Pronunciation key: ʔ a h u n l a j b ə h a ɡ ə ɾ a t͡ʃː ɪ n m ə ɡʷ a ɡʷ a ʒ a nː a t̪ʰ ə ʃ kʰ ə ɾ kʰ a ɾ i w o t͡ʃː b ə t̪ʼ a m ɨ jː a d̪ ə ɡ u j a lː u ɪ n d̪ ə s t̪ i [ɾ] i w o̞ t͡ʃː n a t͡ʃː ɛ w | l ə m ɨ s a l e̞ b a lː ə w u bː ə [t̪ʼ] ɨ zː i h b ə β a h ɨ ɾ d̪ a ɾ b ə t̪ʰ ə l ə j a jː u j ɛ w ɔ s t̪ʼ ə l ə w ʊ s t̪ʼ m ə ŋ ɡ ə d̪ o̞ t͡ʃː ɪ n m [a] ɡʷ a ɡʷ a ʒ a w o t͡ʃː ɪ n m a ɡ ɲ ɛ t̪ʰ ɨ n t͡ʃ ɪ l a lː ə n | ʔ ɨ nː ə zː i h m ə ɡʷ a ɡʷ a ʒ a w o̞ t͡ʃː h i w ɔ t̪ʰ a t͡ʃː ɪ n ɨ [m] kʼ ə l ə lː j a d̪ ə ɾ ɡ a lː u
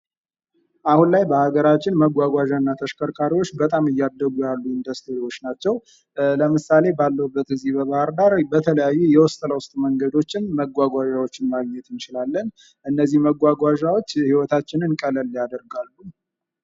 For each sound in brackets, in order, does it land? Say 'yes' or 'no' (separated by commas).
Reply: yes, no, no, no